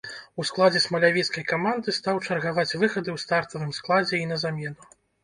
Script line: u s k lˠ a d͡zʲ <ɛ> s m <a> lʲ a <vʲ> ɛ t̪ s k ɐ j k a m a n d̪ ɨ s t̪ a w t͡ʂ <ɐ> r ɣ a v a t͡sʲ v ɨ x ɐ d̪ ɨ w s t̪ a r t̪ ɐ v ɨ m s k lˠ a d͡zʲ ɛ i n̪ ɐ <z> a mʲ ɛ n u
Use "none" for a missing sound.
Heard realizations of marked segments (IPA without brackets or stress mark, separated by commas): ɛ, ɐ, vʲ, ɐ, z